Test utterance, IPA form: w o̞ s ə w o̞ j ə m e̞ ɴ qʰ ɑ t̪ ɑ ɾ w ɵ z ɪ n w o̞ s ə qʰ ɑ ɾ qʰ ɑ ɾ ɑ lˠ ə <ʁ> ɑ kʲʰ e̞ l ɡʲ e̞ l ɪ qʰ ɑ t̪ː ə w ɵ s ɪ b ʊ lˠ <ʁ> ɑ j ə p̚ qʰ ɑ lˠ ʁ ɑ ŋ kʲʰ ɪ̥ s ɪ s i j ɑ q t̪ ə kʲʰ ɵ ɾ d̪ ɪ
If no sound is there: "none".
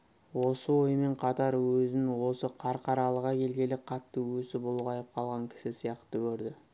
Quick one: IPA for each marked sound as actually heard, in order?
ʁ, ʁ

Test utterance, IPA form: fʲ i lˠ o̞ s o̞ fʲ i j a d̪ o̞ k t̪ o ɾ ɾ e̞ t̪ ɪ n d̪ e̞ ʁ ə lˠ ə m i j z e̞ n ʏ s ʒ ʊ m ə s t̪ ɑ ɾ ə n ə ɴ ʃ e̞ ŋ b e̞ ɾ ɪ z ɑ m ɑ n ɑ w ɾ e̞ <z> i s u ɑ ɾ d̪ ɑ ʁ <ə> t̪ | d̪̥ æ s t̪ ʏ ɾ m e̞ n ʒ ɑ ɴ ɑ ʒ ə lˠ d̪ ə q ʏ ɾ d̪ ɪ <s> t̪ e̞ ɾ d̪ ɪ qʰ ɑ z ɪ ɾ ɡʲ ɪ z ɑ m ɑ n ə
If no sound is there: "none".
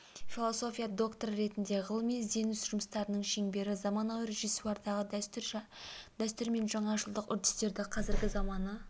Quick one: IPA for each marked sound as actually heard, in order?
ʒ, ə, s

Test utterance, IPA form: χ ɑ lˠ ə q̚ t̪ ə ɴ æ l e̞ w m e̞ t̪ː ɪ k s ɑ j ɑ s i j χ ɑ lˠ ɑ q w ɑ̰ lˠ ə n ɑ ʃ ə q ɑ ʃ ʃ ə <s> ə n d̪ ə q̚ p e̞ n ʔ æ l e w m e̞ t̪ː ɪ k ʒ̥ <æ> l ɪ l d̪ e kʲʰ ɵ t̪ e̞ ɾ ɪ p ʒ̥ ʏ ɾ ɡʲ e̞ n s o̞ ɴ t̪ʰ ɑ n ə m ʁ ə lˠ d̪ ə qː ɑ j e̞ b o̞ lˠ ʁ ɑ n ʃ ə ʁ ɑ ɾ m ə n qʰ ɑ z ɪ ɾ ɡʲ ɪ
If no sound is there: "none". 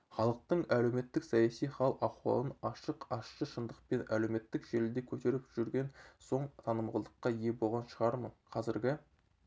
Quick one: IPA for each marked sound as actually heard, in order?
ʃ, e

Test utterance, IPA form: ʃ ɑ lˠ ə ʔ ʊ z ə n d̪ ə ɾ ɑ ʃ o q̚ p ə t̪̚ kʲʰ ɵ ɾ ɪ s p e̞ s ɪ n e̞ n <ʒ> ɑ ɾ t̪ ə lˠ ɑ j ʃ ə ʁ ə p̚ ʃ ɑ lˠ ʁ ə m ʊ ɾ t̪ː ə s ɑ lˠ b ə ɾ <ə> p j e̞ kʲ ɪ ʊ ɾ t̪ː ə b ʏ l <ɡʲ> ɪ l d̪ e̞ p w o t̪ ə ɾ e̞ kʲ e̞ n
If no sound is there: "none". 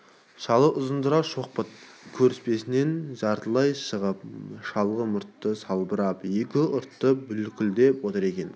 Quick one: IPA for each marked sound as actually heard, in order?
ʒ, ɑ, kʲ

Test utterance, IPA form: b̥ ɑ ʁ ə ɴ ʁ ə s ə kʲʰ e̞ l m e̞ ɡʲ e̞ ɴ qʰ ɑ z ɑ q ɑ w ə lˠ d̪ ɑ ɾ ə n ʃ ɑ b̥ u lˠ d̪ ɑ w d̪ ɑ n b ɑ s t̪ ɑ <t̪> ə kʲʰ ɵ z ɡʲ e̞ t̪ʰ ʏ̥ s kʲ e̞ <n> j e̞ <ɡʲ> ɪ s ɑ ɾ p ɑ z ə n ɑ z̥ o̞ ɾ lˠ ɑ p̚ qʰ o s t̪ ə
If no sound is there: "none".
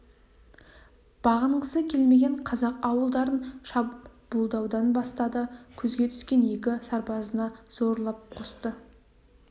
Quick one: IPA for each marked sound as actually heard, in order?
d̪, n, kʲ

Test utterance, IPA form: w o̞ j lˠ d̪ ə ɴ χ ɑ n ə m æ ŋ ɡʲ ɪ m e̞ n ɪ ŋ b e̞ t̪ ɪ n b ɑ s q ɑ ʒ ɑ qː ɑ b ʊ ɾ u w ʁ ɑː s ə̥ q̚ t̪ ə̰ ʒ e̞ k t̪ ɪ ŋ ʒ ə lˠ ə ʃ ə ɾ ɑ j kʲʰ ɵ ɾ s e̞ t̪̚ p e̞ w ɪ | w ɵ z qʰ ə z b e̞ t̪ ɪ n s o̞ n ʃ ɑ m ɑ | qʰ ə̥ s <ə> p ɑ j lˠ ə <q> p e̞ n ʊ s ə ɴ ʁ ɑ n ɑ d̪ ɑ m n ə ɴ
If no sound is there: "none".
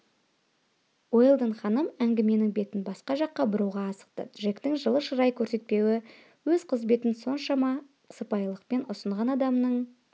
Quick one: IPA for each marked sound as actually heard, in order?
ə, q

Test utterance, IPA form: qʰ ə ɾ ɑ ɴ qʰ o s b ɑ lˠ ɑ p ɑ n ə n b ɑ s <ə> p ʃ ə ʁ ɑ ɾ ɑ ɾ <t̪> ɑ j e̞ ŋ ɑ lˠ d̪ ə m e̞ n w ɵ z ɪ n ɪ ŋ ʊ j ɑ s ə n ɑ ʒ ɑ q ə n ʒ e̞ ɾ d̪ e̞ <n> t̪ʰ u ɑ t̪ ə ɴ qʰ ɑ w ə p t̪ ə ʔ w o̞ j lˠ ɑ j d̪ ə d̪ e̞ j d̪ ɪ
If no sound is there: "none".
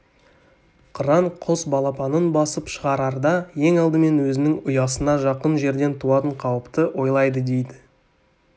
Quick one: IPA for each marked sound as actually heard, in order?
ə, d̪, n

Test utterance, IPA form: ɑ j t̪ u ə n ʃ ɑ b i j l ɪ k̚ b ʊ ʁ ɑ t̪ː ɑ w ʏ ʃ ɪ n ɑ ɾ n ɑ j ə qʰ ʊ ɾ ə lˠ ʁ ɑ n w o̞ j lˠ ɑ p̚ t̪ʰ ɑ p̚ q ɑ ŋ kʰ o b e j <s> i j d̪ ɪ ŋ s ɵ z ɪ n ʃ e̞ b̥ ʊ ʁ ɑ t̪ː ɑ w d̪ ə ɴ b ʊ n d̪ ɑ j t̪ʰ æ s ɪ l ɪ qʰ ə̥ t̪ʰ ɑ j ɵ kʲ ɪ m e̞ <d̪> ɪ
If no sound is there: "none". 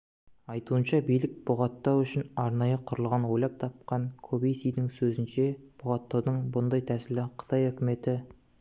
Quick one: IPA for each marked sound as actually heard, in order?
s, t̪

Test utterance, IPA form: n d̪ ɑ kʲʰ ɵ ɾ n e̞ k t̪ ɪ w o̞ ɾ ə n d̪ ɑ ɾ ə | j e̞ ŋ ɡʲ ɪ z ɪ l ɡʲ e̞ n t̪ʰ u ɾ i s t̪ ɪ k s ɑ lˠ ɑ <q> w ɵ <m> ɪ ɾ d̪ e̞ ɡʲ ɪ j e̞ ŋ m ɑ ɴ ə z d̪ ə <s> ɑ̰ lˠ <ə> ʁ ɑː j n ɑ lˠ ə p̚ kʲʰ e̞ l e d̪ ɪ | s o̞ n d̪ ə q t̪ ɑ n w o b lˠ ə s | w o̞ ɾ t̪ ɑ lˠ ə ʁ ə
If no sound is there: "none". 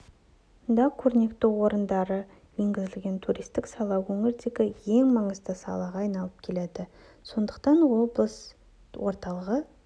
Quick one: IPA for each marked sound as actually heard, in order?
none, ŋ, s, ɑ

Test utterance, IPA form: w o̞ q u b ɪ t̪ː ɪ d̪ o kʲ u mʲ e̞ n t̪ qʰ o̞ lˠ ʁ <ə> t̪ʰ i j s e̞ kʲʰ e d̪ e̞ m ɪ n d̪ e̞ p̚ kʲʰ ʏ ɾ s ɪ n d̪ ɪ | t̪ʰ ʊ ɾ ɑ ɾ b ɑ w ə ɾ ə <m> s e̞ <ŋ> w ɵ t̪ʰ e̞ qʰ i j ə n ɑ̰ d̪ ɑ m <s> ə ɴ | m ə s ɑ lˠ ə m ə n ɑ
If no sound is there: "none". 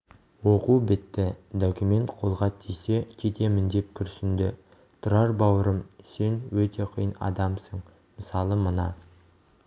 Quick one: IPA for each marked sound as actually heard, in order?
ɑ, m, n, s

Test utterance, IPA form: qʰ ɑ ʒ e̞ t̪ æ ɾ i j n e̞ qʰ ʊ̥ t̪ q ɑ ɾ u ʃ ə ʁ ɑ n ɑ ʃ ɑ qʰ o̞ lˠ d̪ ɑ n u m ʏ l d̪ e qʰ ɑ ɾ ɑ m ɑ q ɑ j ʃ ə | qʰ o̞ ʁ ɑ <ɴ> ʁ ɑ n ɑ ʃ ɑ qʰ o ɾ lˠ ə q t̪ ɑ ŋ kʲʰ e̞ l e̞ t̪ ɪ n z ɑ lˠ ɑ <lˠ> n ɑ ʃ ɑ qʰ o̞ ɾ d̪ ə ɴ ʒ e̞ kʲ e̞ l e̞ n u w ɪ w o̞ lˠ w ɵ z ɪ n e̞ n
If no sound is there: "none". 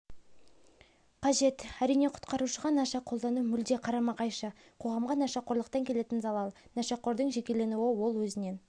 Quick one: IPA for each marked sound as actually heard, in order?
m, lˠ

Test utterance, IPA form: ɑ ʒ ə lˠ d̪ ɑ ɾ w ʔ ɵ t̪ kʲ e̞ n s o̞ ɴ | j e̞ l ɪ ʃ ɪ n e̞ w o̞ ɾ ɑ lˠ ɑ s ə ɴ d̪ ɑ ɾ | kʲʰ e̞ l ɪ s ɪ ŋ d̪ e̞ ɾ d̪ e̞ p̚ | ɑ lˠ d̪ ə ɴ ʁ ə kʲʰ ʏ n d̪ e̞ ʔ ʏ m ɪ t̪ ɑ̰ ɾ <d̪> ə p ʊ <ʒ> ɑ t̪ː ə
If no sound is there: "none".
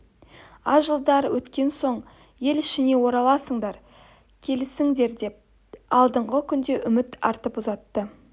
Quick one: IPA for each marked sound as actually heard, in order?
t̪, z

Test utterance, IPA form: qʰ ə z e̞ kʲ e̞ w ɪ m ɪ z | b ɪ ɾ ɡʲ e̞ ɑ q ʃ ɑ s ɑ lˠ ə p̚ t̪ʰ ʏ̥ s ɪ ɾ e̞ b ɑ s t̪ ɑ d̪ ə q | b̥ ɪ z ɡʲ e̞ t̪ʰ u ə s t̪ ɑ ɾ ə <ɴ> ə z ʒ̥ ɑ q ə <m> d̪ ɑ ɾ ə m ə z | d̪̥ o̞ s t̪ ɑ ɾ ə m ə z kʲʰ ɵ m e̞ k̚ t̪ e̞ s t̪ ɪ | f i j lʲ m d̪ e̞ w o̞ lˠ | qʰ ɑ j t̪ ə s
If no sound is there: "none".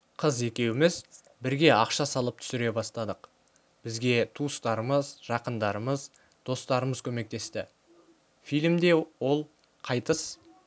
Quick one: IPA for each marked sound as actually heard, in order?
m, n

